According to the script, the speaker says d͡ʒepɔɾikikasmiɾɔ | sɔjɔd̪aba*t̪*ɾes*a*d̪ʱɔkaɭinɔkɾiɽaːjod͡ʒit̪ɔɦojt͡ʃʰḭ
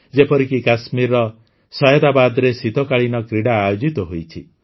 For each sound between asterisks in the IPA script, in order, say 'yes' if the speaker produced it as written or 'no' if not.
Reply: no, no

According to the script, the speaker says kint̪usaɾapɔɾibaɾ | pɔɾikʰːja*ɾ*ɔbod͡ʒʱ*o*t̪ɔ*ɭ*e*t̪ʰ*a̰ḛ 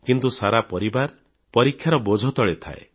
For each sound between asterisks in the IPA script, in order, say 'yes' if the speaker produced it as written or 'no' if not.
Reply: yes, no, yes, yes

